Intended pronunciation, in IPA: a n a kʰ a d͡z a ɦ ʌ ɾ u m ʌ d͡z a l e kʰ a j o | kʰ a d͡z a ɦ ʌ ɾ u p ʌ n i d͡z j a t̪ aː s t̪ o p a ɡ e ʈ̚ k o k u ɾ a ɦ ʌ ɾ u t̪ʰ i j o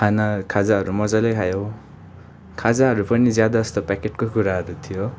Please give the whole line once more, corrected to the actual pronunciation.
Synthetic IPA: a n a kʰ a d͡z a ɦ ʌ ɾ u m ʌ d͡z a l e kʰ a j o | kʰ a d͡z a ɦ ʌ ɾ u p ʌ n i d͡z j a d̪ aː s t̪ o p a k e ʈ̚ k o k u ɾ a ɦ ʌ ɾ u t̪ʰ i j o